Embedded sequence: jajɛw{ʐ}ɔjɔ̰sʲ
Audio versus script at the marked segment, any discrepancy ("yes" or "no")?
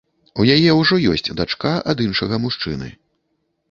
no